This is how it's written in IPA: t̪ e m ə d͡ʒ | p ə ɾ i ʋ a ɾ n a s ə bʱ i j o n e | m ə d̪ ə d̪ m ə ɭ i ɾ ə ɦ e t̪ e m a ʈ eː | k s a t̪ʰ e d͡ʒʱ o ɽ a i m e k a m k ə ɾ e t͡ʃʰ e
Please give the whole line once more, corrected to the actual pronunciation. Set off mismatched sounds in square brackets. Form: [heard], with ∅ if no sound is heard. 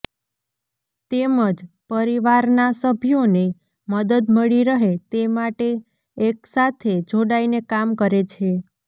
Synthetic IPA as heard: t̪ e m ə d͡ʒ | p ə ɾ i ʋ a ɾ n a s ə bʱ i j o n e | m ə d̪ ə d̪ m ə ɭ i ɾ ə ɦ e t̪ e m a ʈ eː | k s a t̪ʰ e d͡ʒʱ o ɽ a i [n] e k a m k ə ɾ e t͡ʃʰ e